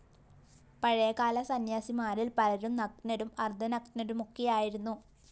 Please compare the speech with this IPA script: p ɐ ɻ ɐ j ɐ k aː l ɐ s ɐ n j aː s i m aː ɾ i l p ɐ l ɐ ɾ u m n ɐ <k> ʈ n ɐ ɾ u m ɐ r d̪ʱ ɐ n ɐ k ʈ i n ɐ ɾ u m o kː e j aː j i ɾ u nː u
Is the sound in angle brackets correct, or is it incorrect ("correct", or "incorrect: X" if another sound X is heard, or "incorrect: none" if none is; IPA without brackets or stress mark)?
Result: correct